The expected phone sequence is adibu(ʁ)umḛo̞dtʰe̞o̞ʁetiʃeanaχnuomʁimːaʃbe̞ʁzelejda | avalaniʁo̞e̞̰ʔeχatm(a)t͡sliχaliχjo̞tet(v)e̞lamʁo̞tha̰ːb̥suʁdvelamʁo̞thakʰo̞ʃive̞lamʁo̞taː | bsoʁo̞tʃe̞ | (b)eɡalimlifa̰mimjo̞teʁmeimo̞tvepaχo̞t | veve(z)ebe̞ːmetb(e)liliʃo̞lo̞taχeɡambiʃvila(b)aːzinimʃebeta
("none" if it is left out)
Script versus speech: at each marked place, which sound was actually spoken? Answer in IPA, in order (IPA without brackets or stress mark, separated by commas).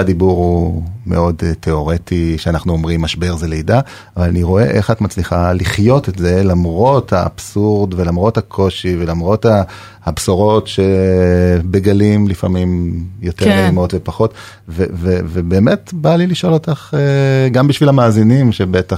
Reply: ʁ, a, z, b, v, a, m